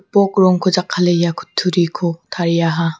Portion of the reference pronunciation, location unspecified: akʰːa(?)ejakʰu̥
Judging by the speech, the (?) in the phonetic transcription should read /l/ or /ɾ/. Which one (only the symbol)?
l